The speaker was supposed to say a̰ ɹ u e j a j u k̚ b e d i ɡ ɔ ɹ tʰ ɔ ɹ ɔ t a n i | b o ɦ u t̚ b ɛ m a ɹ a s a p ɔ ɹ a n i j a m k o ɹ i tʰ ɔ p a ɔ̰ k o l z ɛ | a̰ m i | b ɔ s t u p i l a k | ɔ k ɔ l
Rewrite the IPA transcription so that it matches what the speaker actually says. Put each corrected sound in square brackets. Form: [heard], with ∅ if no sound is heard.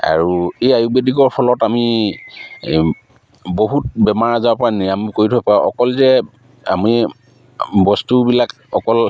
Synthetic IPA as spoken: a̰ ɹ u e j a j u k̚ b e d i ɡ ɔ ɹ [pʰ] ɔ [l] ɔ t a [m] i | b o ɦ u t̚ b ɛ m a ɹ a [z] a p ɔ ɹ a n i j a m k o ɹ i tʰ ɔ p a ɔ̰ k [ɔ] l z ɛ | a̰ m i | b ɔ s t u [b] i l a k | ɔ k ɔ l